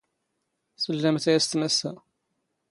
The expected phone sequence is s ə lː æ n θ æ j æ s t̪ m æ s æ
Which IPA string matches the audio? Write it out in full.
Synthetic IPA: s ə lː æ m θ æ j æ s t̪ m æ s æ